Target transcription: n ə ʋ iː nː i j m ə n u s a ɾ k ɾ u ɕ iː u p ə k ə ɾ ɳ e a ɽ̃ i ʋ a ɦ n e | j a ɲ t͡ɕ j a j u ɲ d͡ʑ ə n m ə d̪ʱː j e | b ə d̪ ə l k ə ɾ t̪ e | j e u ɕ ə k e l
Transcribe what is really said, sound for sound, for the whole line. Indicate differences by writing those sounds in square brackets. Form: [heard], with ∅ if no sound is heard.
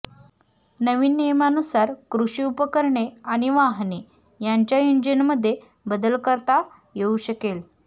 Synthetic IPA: n ə ʋ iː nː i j m [a] n u s a ɾ k ɾ u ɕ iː u p ə k ə ɾ ɳ e a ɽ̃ i ʋ a ɦ n e | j a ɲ t͡ɕ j a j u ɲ d͡ʑ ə n m ə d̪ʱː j e | b ə d̪ ə l k ə ɾ t̪ [a] | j e u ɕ ə k e l